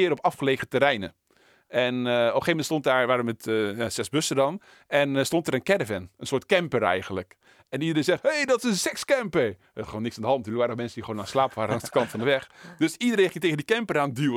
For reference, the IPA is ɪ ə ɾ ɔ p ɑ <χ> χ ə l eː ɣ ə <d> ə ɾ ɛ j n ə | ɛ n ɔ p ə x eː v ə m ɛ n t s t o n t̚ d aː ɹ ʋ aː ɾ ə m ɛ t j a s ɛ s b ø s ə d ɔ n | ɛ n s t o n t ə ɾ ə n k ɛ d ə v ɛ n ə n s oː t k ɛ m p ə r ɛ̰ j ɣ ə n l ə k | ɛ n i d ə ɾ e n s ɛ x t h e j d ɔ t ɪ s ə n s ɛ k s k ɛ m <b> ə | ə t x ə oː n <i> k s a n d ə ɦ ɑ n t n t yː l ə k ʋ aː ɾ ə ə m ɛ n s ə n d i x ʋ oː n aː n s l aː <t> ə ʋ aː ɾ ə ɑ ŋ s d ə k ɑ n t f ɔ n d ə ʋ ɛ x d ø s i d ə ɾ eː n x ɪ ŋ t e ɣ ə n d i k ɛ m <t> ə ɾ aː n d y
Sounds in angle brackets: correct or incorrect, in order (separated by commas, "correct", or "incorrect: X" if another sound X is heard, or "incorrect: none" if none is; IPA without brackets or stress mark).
incorrect: f, incorrect: t, incorrect: p, incorrect: ɪ, incorrect: p, incorrect: p